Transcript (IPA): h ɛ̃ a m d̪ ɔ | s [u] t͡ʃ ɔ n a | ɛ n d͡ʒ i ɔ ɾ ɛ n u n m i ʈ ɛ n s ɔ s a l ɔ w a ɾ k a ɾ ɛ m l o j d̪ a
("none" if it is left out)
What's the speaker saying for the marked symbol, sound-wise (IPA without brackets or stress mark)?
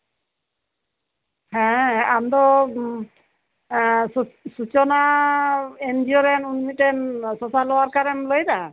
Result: u